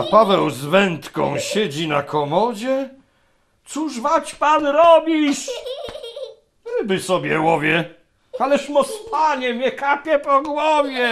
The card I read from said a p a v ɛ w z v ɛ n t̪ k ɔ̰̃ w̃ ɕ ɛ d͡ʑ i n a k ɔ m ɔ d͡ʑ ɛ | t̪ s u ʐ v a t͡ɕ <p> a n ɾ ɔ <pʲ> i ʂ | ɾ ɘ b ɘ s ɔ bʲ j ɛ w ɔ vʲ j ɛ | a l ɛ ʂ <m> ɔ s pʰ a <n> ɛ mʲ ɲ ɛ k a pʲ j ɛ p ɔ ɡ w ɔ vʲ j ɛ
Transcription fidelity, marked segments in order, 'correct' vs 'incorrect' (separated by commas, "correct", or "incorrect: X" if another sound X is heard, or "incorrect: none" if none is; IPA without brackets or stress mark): correct, incorrect: bʲ, correct, incorrect: ɲ